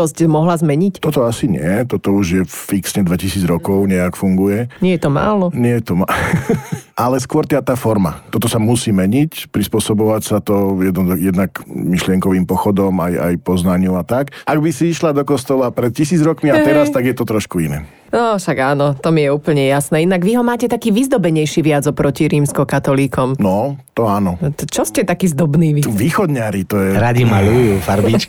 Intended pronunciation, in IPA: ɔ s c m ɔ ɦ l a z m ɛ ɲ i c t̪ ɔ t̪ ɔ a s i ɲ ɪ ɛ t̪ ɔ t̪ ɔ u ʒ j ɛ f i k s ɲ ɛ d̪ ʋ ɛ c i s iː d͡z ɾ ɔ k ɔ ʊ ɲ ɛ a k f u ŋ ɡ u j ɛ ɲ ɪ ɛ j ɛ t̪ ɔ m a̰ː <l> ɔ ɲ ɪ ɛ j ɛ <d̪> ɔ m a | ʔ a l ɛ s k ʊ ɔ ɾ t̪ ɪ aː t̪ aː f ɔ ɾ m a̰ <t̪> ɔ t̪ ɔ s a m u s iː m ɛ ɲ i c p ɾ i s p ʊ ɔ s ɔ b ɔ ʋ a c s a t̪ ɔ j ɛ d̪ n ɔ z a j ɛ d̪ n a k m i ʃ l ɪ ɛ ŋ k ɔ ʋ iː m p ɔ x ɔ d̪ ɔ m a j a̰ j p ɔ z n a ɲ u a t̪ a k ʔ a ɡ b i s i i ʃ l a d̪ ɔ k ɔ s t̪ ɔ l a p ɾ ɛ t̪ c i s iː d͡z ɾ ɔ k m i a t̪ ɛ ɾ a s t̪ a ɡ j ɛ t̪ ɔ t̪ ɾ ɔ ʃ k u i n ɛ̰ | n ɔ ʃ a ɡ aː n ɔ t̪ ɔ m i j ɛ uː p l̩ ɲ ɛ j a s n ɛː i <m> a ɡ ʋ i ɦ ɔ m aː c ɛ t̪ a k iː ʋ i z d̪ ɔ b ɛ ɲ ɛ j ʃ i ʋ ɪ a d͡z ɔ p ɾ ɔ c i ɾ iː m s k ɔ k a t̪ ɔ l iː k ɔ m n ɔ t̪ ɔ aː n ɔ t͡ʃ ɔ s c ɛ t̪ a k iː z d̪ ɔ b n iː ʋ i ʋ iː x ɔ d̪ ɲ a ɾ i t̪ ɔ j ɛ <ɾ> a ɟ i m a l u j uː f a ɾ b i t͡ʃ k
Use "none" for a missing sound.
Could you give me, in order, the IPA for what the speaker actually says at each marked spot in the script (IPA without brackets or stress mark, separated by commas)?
l, t̪, t̪, n, ɾ